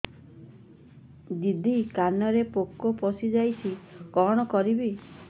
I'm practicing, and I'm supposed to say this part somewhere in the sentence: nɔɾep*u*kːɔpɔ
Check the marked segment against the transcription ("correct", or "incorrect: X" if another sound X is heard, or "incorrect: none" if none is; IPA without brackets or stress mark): incorrect: o